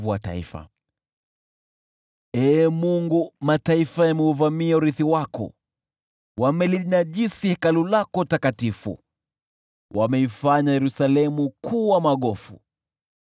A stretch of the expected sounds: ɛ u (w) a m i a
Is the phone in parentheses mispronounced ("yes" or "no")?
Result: yes